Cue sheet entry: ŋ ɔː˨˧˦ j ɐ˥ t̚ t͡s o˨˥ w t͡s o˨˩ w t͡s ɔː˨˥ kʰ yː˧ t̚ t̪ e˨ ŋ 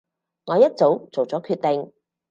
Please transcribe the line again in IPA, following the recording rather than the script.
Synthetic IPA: ŋ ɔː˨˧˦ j ɐ˥ t̚ t͡s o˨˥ w t͡s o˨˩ w t͡s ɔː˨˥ kʰ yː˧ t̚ t̪ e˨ ŋ